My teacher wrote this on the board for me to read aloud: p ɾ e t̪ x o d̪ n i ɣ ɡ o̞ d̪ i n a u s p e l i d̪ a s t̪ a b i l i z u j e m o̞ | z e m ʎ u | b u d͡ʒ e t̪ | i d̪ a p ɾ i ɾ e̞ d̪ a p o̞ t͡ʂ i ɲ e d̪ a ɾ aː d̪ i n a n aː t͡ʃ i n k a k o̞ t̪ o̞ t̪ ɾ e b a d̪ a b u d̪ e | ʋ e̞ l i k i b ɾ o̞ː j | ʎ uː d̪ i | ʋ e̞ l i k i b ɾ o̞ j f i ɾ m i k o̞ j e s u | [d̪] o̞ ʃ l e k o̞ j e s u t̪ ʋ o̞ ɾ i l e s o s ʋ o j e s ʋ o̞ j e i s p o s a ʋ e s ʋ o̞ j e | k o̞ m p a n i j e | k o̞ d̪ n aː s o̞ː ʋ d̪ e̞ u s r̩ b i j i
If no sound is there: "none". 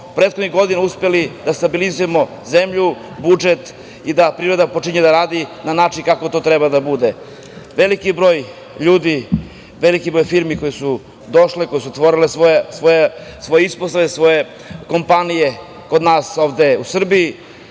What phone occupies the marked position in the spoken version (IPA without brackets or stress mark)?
d̪